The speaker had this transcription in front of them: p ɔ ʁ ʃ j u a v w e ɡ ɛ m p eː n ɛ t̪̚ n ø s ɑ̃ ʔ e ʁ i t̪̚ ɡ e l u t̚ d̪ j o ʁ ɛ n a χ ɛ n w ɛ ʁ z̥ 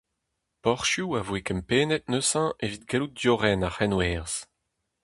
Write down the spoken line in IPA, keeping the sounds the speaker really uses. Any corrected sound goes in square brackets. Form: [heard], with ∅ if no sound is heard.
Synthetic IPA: p ɔ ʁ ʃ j u a v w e [k] ɛ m p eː n ɛ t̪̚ n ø s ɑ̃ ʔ e [v] i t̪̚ ɡ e l u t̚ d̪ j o ʁ ɛ n a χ ɛ n w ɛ ʁ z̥